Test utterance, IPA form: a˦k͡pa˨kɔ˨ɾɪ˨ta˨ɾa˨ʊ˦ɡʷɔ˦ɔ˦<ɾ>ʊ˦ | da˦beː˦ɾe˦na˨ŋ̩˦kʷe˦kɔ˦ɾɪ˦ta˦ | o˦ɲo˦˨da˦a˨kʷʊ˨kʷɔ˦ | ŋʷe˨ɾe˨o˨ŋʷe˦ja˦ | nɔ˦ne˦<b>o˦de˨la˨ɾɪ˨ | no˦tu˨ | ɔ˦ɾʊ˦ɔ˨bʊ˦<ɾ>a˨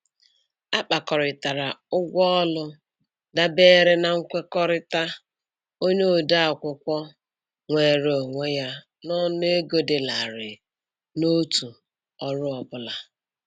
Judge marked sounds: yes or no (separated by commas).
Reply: no, no, no